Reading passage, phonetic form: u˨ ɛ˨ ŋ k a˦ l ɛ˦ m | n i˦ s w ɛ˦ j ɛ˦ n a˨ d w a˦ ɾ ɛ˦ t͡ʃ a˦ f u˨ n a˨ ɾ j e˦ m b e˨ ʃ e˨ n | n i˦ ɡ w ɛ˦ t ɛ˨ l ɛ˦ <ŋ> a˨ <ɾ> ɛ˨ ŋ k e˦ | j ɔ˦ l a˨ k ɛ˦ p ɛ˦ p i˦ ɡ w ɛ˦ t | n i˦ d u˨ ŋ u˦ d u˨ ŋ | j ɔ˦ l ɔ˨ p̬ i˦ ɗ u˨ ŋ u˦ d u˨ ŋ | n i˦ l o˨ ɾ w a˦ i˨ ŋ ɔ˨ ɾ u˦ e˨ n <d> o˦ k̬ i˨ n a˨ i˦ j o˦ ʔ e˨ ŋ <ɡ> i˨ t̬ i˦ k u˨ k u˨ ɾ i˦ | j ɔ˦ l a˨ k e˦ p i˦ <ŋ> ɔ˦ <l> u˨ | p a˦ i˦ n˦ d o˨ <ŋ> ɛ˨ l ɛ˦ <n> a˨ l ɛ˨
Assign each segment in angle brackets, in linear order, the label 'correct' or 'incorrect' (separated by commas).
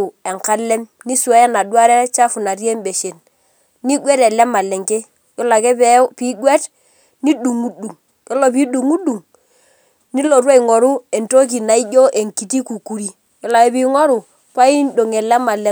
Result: incorrect, incorrect, incorrect, incorrect, correct, incorrect, correct, incorrect